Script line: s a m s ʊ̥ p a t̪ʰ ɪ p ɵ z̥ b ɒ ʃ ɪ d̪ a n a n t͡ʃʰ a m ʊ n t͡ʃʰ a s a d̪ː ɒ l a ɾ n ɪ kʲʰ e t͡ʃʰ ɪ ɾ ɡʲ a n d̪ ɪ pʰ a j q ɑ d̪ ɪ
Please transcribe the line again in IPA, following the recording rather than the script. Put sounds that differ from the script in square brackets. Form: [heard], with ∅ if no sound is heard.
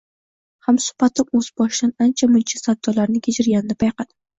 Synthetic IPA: [h] a m s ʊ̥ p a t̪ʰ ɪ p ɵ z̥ b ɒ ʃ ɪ d̪ a n a n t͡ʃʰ a m ʊ n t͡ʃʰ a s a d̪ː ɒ l a ɾ n ɪ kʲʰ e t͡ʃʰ ɪ ɾ ɡʲ a n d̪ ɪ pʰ a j q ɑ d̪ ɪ